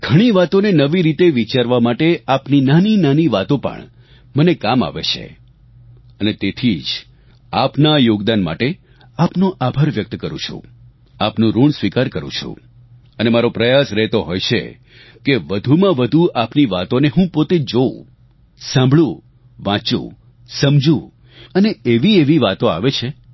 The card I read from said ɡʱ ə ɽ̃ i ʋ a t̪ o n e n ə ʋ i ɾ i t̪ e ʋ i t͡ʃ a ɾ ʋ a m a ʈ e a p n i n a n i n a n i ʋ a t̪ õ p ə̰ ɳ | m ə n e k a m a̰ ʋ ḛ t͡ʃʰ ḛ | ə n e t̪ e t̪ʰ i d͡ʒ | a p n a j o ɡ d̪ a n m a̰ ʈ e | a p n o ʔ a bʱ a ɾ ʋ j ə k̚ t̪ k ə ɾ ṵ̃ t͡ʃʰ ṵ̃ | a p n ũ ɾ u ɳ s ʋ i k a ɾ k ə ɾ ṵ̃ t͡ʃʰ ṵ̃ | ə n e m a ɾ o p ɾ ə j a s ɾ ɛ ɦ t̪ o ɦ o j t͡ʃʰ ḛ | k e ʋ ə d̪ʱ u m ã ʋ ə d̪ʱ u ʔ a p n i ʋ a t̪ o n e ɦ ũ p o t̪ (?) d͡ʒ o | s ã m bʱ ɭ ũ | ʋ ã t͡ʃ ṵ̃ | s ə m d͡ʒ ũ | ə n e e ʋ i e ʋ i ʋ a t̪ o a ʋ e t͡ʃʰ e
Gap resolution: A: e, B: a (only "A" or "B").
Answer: A